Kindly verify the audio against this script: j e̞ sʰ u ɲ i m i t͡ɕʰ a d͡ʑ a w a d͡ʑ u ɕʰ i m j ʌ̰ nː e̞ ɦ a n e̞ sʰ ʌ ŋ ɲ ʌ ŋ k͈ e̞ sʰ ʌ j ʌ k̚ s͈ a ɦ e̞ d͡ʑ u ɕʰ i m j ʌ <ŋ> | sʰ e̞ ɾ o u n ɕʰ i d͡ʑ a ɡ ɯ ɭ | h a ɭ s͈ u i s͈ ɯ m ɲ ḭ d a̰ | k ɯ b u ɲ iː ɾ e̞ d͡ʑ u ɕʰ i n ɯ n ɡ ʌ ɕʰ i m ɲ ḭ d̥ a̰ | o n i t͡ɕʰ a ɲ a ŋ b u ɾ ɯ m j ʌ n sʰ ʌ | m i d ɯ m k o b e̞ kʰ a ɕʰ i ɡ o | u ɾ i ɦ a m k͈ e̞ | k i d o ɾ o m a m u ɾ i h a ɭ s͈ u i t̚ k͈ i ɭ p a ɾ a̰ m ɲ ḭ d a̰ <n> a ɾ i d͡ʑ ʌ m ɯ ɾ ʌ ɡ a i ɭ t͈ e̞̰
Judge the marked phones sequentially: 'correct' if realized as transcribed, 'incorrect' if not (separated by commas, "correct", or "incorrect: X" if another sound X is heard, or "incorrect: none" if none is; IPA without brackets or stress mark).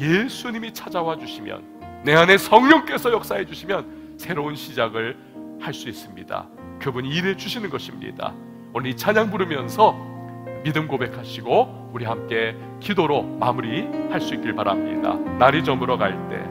incorrect: n, correct